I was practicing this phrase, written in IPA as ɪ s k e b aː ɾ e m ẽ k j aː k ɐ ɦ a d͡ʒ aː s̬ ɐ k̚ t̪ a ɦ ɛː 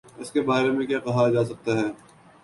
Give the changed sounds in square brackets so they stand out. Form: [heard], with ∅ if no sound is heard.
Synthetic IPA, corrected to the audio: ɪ s k e b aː ɾ e m ẽ k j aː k ɐ ɦ a d͡ʒ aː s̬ ɐ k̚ t̪ a ɦ ɛː